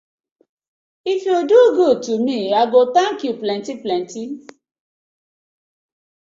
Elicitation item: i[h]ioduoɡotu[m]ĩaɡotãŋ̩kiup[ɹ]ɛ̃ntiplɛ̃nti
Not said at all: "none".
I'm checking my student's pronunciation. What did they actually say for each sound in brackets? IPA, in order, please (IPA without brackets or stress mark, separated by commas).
f, m, l